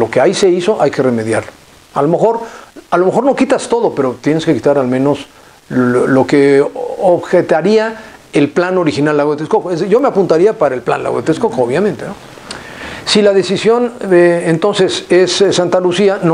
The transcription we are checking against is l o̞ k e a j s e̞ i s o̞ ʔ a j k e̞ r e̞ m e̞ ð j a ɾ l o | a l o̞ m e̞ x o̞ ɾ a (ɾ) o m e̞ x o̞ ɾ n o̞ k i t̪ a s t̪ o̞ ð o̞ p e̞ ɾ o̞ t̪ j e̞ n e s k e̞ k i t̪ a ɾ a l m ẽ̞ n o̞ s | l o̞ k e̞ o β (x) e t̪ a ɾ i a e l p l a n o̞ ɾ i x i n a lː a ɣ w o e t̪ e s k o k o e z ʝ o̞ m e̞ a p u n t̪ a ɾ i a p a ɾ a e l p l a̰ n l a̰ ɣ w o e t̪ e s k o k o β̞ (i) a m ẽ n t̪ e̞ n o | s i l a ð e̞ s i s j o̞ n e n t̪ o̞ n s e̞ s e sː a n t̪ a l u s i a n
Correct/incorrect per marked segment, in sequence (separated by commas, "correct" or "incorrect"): incorrect, correct, incorrect